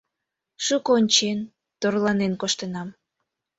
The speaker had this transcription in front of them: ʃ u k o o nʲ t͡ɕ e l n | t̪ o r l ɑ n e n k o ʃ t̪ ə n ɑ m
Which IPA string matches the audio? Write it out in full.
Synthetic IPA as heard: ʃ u k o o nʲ t͡ɕ e n | t̪ o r l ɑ n e n k o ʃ t̪ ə n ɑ m